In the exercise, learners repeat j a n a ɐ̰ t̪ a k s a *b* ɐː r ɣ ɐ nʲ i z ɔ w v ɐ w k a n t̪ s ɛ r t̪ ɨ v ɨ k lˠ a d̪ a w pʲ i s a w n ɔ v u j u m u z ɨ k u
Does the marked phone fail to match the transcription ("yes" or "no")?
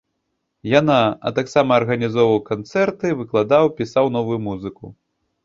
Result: yes